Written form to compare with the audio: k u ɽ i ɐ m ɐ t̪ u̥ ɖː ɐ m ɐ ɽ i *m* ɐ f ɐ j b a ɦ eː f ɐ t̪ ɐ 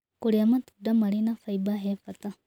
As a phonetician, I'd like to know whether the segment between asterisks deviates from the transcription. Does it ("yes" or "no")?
yes